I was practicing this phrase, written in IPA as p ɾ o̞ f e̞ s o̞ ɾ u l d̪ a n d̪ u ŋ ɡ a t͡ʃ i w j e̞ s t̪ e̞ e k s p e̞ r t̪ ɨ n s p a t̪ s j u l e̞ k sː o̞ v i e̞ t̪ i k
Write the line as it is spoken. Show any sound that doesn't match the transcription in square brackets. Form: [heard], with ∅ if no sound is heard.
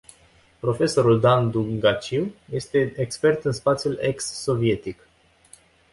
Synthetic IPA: p ɾ o̞ f e̞ s o̞ ɾ u l d̪ a n d̪ u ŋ ɡ a t͡ʃ i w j e̞ s t̪ e̞ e k s p e̞ r t̪ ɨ n s p a t̪ s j u l e̞ k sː o̞ v i e̞ t̪ i k